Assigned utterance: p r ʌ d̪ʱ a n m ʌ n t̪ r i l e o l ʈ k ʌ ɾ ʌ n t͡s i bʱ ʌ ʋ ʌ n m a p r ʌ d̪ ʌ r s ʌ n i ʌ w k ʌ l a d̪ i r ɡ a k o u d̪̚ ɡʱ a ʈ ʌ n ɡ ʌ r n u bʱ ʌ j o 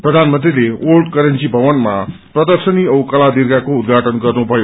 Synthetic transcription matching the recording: p r ʌ d̪ʱ a n m ʌ n t̪ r i l e o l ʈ k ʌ ɾ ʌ n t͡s i bʱ ʌ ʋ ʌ n m a p r ʌ d̪ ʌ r s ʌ n i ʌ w k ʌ l a d̪ i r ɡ a k o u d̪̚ ɡʱ a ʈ ʌ n ɡ ʌ r n u bʱ ʌ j o